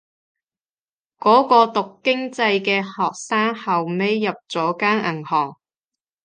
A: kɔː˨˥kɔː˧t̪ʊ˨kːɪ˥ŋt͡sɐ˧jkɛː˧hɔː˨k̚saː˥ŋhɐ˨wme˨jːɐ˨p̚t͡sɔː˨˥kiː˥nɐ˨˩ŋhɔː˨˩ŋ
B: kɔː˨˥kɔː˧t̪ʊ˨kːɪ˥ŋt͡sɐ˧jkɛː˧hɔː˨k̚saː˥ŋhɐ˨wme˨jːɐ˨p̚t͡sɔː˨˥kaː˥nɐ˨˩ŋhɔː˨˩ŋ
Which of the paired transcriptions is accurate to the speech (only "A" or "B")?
B